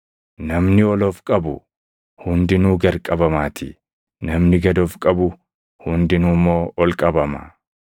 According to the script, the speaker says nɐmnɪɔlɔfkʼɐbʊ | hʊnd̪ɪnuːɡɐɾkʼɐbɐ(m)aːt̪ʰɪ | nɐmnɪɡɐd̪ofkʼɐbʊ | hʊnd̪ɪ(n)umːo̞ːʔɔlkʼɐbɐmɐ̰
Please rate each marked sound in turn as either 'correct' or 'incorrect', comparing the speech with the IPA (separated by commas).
correct, correct